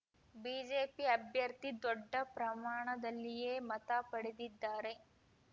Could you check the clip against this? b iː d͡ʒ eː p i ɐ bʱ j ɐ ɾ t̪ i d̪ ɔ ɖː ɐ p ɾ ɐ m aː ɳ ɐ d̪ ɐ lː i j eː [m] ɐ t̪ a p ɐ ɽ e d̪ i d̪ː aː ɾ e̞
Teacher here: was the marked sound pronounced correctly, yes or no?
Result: yes